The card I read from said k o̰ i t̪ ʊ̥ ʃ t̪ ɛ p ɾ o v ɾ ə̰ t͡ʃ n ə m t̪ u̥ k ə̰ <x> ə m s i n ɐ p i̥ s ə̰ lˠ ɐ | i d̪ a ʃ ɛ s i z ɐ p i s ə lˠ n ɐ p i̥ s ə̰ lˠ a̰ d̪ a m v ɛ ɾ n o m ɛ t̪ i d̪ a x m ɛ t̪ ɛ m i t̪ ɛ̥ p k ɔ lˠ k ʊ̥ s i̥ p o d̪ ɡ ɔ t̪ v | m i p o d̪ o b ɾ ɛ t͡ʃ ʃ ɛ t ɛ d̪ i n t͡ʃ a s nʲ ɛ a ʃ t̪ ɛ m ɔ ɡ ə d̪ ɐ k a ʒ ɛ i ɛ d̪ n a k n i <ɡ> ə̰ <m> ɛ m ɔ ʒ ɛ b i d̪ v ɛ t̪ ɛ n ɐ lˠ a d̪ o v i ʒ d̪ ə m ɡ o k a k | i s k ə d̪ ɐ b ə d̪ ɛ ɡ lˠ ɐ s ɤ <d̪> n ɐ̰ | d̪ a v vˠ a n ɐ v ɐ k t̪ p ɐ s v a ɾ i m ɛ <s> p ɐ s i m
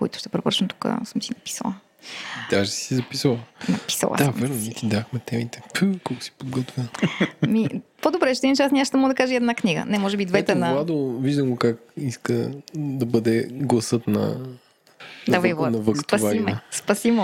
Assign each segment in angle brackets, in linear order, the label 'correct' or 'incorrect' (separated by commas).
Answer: incorrect, correct, incorrect, incorrect, correct